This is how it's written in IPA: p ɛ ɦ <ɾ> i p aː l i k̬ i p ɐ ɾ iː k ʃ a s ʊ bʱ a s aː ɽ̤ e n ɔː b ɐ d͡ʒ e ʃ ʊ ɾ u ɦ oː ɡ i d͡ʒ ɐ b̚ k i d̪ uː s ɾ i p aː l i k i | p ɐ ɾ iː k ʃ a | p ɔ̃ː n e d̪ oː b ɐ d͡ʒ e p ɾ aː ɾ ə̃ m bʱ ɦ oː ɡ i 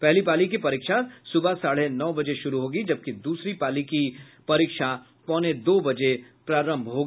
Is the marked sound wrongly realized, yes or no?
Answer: yes